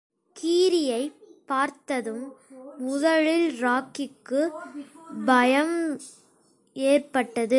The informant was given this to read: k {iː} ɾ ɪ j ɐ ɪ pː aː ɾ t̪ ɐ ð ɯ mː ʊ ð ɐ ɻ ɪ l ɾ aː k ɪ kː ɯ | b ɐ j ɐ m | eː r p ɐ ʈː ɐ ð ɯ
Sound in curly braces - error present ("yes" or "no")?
no